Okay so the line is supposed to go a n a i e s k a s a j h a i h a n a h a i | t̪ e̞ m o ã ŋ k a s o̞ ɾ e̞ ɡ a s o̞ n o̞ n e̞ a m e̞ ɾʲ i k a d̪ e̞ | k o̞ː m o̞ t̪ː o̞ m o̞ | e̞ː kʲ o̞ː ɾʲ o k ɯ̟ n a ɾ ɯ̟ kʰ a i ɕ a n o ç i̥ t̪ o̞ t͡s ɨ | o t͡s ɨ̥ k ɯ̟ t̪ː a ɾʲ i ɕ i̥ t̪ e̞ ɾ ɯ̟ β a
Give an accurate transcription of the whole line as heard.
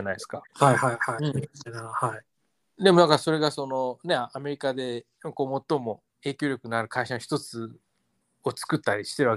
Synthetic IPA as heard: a n a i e s k a h a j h a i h a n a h a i | d̪ e̞ m o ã ŋ k a s o̞ ɾ e̞ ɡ a s o̞ n o̞ n e̞ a m e̞ ɾʲ i k a d̪ e̞ | k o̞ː m o̞ t̪ː o̞ m o̞ | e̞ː kʲ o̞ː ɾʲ o k ɯ̟ n a ɾ ɯ̟ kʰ a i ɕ a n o ç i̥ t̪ o̞ t͡s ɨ | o t͡s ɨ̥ k ɯ̟ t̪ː a ɾʲ i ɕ i̥ t̪ e̞ ɾ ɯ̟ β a